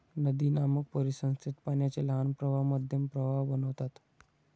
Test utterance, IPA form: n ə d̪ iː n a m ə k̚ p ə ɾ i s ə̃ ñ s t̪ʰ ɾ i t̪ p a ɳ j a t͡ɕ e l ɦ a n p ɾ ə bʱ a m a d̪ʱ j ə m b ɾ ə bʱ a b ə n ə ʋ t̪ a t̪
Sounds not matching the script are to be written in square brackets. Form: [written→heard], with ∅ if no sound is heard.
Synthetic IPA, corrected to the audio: n ə d̪ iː n a m ə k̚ p ə ɾ i s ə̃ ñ s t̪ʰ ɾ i t̪ p a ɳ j a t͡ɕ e l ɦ a n p ɾ ə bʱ a m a d̪ʱ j ə m [b→p] ɾ ə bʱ a b ə n ə ʋ t̪ a t̪